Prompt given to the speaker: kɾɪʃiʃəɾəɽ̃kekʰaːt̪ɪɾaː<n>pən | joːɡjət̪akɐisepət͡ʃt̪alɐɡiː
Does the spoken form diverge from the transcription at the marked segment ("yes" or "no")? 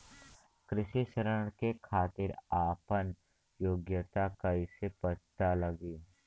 yes